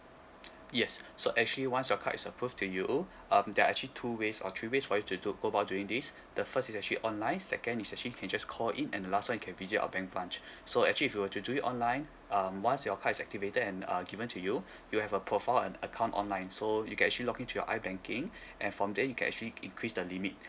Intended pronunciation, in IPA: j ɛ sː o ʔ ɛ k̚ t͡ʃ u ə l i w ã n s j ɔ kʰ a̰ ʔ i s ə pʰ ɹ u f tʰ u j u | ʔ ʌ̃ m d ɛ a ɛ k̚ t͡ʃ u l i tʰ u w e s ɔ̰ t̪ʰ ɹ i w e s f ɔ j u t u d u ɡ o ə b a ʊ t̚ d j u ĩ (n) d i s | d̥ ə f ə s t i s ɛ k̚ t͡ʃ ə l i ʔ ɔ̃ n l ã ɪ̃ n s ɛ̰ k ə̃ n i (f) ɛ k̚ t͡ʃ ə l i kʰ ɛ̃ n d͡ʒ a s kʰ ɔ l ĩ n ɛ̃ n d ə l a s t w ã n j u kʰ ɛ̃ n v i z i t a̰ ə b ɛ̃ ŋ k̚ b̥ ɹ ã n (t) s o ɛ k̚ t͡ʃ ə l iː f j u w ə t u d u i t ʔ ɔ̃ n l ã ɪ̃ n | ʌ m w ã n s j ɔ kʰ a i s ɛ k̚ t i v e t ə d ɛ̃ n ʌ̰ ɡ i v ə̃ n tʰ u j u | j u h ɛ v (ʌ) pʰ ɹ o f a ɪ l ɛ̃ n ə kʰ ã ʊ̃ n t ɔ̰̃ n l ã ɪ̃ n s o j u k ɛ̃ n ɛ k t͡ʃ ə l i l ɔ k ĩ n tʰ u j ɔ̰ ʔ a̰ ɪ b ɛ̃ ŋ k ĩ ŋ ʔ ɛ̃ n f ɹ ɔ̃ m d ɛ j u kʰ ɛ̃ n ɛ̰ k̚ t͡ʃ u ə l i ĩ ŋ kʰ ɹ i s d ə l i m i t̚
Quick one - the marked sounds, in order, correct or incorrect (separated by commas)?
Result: incorrect, incorrect, incorrect, incorrect